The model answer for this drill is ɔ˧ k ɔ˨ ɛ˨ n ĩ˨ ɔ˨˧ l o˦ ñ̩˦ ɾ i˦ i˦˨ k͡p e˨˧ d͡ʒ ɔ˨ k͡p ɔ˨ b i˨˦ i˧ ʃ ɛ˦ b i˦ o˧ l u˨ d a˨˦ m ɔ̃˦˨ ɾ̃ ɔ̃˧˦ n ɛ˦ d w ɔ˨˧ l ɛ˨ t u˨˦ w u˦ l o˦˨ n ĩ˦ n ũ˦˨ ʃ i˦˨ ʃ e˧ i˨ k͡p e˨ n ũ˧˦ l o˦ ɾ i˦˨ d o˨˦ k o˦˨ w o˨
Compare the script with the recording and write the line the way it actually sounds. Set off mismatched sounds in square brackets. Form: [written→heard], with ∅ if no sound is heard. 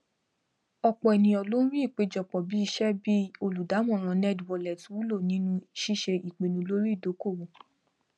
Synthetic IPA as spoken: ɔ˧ [k→k͡p] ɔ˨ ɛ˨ n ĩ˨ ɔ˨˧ l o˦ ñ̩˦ ɾ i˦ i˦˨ k͡p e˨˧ d͡ʒ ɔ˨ k͡p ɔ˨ b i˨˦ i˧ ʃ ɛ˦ b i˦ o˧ l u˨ d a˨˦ m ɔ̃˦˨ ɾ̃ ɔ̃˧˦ n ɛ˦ d w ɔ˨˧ l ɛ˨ t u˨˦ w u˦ l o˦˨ n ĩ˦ n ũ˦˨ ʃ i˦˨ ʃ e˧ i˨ k͡p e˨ n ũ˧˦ l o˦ ɾ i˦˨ d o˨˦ k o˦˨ w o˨